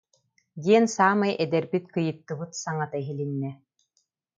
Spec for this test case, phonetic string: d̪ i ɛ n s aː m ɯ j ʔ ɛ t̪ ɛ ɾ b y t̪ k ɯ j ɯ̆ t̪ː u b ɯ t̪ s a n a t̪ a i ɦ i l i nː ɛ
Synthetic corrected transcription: d̪ i ɛ n s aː m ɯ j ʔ ɛ d̪ ɛ ɾ b i t̪ k ɯ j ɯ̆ t̪ː ɯ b ɯ t̪ s a ŋ a t̪ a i ɦ i l i nː ɛ